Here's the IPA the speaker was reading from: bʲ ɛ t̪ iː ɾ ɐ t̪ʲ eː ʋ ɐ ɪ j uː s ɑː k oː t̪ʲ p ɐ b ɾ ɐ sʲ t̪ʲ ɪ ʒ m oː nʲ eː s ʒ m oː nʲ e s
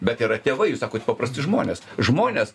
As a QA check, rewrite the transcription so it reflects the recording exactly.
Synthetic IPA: bʲ ɛ t̪ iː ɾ ɐ t̪ʲ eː ʋ ɐ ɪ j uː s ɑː k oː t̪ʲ p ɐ p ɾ ɐ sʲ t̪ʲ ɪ ʒ m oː nʲ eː s ʒ m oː nʲ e s